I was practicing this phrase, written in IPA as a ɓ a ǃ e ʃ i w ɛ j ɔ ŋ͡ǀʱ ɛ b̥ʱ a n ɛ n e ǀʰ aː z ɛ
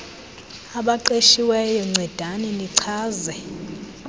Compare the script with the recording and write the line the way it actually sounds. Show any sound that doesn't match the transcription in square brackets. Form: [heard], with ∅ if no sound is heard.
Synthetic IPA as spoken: a ɓ a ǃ e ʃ i w ɛ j ɔ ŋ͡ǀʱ ɛ [d̥ʱ] a n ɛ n [i] ǀʰ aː z ɛ